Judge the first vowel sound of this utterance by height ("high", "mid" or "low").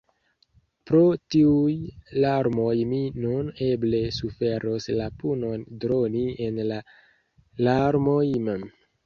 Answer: mid